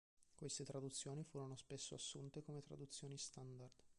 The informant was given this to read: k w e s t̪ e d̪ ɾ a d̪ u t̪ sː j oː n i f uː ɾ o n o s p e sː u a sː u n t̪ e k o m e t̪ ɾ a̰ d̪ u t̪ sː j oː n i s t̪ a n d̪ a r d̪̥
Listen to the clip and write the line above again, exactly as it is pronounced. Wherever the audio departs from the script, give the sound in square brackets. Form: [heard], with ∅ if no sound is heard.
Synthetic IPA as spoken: k w e s t̪ e [t̪] ɾ a d̪ u t̪ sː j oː n i f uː ɾ o n o s p e sː [o] a sː u n t̪ e k o m e t̪ ɾ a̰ d̪ u t̪ sː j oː n i s t̪ a n d̪ a r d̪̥